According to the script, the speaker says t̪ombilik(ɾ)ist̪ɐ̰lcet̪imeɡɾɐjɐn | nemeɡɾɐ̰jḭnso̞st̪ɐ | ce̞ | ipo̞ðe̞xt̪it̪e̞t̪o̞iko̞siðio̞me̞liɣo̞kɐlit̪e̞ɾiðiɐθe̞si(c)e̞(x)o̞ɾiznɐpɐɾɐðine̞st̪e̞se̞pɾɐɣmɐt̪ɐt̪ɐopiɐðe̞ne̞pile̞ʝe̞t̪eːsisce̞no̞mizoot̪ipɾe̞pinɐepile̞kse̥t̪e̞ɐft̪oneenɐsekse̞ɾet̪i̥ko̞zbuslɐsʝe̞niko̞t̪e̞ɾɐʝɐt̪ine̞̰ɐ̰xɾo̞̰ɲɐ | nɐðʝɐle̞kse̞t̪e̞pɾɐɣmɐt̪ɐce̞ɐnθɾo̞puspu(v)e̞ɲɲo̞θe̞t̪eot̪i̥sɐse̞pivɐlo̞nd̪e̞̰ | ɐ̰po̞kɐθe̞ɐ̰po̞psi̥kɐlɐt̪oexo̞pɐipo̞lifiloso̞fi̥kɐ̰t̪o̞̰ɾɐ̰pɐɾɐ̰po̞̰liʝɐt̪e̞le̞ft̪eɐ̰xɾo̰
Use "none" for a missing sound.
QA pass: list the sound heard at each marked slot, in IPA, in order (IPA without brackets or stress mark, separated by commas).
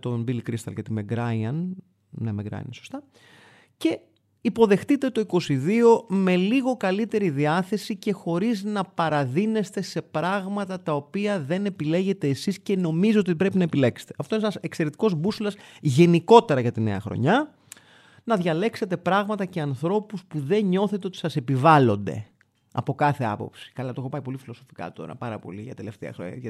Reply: ɾ, c, x, ð